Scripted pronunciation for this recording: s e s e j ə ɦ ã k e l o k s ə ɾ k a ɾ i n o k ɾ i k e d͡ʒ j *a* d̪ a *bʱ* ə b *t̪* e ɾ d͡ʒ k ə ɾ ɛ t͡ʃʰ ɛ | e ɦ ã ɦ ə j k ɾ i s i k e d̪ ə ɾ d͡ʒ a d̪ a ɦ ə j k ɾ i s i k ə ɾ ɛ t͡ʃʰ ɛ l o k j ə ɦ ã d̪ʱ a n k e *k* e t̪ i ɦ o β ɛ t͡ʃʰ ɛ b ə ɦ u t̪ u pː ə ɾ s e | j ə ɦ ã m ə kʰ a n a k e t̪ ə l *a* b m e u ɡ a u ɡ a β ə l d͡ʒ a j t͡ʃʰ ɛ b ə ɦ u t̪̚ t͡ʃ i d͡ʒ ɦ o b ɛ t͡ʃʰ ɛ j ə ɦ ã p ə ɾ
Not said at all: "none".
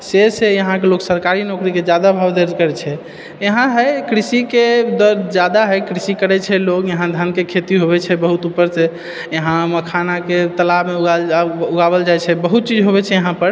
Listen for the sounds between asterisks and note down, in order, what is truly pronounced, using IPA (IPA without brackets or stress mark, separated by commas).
a, bʱ, d̪, kʰ, a